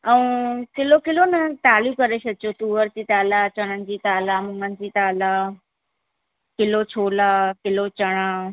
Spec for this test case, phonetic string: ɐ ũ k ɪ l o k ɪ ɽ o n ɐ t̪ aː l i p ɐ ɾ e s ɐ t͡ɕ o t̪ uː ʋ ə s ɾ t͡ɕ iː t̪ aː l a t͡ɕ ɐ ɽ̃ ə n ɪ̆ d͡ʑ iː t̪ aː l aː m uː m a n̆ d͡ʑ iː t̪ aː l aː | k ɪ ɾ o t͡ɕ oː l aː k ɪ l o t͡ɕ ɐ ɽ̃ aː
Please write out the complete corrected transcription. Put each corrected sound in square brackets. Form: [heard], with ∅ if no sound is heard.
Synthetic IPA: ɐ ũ k ɪ l o k ɪ [l] o n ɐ t̪ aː l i [k] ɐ ɾ e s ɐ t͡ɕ o t̪ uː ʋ ə [∅] ɾ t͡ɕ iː t̪ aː l a t͡ɕ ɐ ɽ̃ ə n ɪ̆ d͡ʑ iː t̪ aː l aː m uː m [ə] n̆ d͡ʑ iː t̪ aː l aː | k ɪ [l] o [t͡ɕʰ] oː l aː k ɪ l o t͡ɕ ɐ ɽ̃ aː